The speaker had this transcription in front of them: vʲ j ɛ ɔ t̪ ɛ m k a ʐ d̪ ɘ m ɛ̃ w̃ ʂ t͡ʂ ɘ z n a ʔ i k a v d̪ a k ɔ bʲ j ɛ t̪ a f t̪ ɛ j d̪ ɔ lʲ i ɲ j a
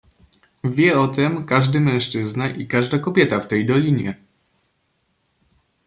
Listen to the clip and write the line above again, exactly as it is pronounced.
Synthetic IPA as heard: vʲ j ɛ ɔ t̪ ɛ m k a ʐ d̪ ɘ m ɛ̃ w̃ ʂ t͡ʂ ɘ z n a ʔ i k a ʐ d̪ a k ɔ bʲ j ɛ t̪ a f t̪ ɛ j d̪ ɔ lʲ i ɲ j ɛ